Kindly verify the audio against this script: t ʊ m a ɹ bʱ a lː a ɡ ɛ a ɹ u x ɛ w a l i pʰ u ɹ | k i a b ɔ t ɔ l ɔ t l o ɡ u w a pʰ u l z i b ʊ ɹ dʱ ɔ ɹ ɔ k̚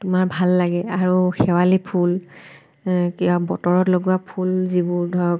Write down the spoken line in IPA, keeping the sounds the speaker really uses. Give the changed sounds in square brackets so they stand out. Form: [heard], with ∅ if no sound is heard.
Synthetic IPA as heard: t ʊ m a ɹ bʱ a lː a ɡ ɛ a ɹ u x ɛ w a l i pʰ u [l] | k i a b ɔ t ɔ [ɹ] ɔ t l o ɡ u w a pʰ u l z i b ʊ ɹ dʱ ɔ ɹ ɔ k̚